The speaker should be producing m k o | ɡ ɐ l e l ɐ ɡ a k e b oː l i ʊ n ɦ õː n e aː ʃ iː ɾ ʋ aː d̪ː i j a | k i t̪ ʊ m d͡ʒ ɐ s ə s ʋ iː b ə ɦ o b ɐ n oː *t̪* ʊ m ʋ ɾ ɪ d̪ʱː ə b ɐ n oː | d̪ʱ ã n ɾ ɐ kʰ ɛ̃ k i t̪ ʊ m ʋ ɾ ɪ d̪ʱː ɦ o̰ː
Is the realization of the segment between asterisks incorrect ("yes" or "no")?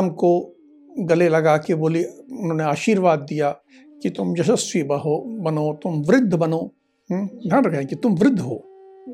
no